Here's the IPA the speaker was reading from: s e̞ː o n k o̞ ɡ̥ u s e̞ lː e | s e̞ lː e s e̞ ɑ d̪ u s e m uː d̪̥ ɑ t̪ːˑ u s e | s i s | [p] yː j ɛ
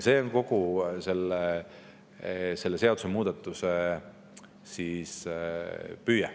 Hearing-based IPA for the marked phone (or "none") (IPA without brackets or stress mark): p